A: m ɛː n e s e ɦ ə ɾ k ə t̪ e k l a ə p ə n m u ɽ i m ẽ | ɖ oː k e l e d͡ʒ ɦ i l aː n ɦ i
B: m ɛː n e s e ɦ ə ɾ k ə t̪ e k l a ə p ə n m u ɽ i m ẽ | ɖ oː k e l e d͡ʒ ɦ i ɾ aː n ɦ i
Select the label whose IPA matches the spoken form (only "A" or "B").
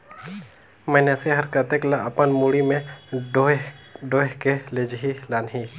A